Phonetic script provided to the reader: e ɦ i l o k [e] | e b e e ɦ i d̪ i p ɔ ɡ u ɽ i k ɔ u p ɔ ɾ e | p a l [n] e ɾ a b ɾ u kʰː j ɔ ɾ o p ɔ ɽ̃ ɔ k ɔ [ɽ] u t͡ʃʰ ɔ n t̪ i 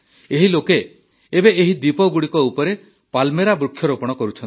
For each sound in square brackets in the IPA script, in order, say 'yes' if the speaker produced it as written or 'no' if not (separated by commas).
yes, no, no